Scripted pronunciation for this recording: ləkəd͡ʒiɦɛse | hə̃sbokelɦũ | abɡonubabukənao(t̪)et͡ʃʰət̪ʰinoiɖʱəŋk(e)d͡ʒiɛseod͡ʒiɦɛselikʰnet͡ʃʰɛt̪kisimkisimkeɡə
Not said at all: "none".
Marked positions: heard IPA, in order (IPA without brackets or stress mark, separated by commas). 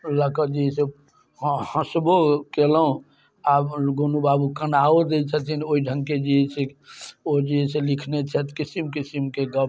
d̪, e